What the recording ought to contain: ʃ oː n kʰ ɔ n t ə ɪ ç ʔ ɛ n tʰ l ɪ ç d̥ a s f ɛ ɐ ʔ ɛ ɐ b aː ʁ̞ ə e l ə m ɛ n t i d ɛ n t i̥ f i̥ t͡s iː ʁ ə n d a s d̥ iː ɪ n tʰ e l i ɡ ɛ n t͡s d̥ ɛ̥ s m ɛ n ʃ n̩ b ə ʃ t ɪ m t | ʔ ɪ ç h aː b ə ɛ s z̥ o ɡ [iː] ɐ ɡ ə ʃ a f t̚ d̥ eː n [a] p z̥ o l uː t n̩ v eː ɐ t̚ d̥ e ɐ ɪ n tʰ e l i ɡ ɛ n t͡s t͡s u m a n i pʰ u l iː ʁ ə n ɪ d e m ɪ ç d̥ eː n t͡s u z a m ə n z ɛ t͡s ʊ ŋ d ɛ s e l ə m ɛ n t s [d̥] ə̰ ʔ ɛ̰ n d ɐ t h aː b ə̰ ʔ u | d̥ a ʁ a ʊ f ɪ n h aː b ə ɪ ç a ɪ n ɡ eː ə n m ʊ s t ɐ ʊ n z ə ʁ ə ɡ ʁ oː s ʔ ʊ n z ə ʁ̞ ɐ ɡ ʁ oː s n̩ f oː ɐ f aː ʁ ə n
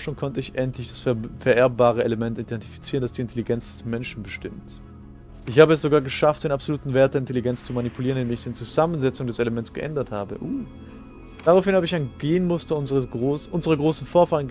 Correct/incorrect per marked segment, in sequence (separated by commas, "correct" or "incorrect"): incorrect, correct, incorrect